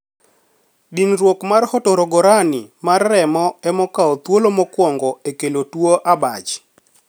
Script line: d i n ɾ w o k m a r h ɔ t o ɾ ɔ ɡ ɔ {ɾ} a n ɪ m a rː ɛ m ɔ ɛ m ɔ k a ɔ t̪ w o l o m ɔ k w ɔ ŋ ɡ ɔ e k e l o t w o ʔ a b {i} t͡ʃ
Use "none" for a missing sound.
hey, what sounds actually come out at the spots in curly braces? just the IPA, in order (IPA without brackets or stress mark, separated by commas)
ɾ, a